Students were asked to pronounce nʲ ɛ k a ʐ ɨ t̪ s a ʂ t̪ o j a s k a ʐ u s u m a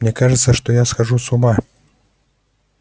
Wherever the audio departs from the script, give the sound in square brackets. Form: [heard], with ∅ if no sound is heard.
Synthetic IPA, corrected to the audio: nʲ ɛ k a ʐ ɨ t̪ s [ɐ] ʂ t̪ [ɔ] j a s [x] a ʐ u s u m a